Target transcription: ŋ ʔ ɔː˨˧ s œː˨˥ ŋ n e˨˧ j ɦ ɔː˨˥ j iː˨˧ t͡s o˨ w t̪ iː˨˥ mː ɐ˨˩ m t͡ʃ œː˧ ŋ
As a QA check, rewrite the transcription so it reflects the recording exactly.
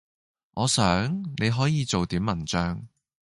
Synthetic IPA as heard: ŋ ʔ ɔː˨˧ s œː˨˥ ŋ n e˨˧ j ɦ ɔː˨˥ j iː˨˧ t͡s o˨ w t̪ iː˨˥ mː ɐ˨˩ n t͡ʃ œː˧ ŋ